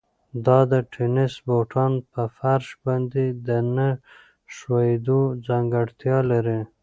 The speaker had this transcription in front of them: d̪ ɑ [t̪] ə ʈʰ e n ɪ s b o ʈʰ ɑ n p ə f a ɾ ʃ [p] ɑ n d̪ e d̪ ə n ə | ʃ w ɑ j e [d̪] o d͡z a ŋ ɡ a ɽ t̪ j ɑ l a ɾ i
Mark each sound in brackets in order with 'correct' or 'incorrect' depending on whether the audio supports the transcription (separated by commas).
incorrect, incorrect, correct